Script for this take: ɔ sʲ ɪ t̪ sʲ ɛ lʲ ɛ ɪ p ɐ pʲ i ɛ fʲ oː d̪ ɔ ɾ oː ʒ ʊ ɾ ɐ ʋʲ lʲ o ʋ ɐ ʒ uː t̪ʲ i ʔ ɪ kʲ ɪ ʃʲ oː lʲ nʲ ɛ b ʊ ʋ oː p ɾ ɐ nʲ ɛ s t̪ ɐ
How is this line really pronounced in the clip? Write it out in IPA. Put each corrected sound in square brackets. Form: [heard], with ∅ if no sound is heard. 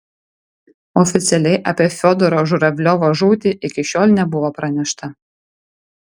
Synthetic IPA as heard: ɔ [fʲ] ɪ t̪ sʲ ɛ lʲ ɛ ɪ [ʔ] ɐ pʲ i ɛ fʲ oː d̪ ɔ ɾ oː ʒ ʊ ɾ ɐ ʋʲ lʲ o ʋ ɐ ʒ uː t̪ʲ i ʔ ɪ kʲ ɪ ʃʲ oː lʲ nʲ ɛ b ʊ ʋ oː p ɾ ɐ nʲ ɛ [ʃ] t̪ ɐ